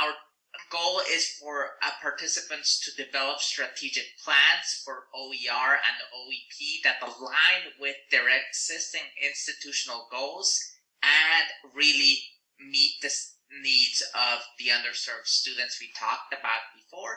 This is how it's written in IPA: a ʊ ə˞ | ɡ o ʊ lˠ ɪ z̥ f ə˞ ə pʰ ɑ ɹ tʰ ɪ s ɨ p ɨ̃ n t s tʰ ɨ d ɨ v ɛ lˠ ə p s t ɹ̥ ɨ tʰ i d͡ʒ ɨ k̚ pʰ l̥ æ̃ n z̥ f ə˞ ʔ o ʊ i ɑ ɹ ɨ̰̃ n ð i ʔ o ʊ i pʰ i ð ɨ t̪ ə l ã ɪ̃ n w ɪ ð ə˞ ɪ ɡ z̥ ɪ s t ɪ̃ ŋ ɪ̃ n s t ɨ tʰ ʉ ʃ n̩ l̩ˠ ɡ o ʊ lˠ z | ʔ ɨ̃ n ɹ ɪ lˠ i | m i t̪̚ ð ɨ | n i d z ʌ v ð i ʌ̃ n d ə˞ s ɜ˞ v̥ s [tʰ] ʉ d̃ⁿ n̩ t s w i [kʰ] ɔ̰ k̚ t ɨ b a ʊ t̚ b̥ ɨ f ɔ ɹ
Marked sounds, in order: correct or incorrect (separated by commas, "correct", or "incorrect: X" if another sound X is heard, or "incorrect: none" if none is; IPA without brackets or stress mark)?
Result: incorrect: t, incorrect: tʰ